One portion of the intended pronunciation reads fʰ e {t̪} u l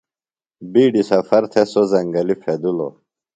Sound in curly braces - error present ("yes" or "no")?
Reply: yes